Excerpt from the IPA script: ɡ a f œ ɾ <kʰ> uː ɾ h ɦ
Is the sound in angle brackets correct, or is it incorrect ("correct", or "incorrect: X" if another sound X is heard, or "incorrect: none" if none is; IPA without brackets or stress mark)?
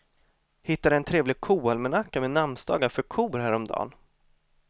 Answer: correct